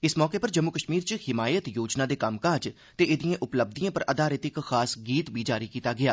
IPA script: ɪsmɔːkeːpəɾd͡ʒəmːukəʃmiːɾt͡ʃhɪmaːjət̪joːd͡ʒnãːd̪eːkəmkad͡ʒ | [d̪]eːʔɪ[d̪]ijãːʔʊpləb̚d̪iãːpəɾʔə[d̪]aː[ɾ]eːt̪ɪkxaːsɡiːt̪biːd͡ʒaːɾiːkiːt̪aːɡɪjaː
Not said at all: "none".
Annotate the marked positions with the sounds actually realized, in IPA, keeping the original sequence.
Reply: t̪, d̪, d̪, ɾ

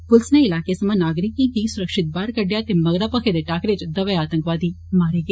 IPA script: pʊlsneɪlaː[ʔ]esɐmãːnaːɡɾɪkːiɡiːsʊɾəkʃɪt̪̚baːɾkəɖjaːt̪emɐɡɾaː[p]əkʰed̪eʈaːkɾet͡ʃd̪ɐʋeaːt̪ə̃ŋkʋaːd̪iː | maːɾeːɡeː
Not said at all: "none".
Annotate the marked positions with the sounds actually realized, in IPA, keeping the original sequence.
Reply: k, p

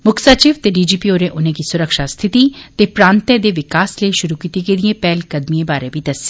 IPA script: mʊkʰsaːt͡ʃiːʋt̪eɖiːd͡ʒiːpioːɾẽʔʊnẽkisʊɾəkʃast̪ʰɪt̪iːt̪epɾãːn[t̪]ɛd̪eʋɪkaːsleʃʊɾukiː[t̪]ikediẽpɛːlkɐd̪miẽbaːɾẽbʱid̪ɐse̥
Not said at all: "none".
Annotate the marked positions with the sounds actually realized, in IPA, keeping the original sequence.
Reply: t̪, t̪

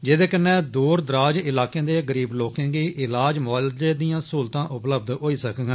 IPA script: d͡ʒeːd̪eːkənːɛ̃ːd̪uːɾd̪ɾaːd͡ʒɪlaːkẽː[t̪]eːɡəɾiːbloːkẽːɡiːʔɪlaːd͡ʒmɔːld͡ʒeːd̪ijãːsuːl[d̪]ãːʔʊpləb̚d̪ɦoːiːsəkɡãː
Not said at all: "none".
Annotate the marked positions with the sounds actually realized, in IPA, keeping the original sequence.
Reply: d̪, t̪

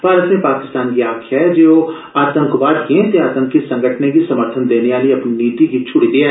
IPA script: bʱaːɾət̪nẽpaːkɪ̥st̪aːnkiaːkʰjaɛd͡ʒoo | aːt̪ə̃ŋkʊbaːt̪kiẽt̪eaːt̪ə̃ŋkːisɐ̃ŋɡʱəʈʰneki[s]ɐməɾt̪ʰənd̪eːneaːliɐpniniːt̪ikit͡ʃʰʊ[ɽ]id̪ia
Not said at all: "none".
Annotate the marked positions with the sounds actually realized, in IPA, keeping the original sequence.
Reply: s, ɽ

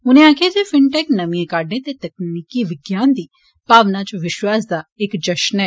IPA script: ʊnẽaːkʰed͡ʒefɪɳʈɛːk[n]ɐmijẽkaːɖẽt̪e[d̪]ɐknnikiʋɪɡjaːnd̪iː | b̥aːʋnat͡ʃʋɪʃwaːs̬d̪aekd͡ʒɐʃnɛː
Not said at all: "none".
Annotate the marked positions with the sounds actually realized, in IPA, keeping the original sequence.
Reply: n, t̪

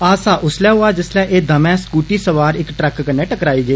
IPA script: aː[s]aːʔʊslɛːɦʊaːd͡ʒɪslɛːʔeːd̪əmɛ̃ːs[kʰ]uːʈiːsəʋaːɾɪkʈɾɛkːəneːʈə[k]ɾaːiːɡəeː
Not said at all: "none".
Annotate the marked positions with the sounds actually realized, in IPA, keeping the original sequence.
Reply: s, k, k

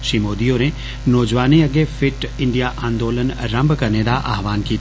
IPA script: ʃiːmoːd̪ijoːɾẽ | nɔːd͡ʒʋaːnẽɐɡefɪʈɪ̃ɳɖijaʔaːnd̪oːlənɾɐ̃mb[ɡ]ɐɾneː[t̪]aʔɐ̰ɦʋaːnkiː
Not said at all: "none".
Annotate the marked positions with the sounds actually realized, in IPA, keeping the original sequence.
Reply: k, d̪

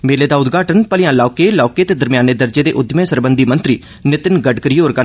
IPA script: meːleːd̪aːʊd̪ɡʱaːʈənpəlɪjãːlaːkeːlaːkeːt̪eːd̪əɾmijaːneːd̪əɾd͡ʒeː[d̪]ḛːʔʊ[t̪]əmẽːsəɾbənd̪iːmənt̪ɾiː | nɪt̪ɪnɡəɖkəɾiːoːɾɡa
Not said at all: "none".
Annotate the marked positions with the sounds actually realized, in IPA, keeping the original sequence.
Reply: d̪, d̪

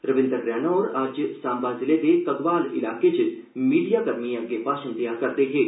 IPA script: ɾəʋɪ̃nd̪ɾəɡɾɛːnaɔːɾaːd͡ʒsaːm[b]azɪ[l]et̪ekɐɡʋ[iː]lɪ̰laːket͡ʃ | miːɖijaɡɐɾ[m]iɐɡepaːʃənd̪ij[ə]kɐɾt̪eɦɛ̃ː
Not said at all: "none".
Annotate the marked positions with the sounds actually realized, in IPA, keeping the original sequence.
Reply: b, l, aː, m, a

